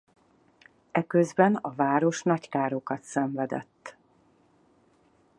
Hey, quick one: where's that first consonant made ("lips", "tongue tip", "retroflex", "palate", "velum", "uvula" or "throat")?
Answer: velum